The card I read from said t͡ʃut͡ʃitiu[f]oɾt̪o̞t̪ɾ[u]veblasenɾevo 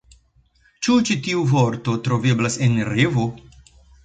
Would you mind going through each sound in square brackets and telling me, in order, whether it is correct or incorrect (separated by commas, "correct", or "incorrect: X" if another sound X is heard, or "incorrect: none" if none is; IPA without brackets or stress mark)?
incorrect: v, incorrect: o